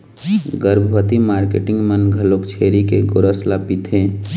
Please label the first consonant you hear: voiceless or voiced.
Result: voiced